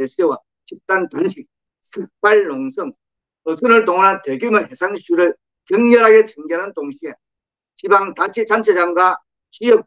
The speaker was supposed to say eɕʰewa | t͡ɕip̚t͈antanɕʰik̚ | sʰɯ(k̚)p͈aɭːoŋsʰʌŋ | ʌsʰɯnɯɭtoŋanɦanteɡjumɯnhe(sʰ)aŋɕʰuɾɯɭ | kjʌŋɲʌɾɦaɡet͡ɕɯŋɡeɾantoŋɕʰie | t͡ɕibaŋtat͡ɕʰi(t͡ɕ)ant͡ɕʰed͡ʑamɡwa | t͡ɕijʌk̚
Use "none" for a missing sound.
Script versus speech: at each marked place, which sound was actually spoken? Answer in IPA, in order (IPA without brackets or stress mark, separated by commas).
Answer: k̚, sʰ, t͡ɕ